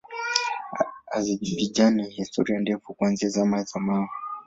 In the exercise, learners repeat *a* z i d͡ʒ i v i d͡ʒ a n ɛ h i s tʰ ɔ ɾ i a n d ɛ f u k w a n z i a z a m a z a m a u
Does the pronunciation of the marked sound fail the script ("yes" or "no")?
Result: no